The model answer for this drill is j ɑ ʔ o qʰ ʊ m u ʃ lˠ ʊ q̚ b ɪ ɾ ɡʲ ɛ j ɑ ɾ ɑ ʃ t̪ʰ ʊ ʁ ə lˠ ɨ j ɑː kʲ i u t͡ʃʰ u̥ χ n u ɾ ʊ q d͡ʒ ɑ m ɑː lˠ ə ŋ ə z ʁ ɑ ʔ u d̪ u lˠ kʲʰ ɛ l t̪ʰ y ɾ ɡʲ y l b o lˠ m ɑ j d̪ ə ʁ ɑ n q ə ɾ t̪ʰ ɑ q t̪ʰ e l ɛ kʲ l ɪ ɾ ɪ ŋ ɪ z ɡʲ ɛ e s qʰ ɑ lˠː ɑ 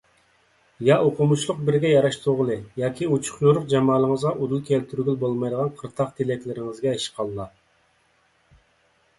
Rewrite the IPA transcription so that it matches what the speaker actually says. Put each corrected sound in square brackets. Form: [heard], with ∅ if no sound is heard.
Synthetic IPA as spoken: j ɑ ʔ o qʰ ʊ m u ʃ lˠ ʊ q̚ b ɪ ɾ ɡʲ ɛ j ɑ ɾ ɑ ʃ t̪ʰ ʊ ʁ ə lˠ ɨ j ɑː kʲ i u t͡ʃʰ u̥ χ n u ɾ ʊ q d͡ʒ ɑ m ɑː lˠ ə ŋ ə z ʁ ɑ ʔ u d̪ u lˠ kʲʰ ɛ l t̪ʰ y ɾ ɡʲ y l b o lˠ m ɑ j d̪ ə ʁ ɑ n [qʰ] ə ɾ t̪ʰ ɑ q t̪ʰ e l ɛ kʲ l ɪ ɾ ɪ ŋ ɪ z ɡʲ ɛ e [ʃ] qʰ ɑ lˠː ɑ